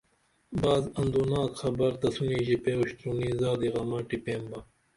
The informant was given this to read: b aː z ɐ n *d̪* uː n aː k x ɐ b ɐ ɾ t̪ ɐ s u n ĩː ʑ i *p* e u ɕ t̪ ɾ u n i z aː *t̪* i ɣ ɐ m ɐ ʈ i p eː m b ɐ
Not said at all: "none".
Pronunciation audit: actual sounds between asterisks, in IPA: d̪, p, d̪

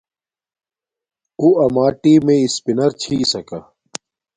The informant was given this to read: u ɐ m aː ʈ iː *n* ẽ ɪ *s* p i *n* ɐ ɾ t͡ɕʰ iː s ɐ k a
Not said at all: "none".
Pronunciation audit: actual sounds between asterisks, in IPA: m, s, n

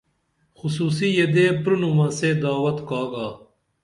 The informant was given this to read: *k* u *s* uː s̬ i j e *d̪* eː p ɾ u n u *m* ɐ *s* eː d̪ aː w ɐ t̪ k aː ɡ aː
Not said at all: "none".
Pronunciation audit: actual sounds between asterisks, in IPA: x, s, d̪, m, s

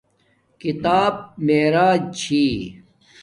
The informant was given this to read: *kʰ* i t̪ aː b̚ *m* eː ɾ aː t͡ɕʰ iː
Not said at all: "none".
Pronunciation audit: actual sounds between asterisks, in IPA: k, m

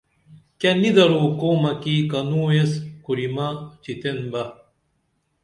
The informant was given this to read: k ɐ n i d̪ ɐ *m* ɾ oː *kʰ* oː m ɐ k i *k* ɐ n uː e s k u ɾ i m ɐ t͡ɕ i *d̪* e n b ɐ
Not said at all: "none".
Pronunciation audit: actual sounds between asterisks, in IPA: none, k, k, t̪

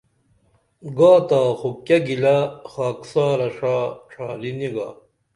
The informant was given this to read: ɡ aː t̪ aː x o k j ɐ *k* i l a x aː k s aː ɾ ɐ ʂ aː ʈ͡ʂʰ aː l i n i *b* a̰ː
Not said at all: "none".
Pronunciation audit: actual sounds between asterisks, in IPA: ɡ, ɡ

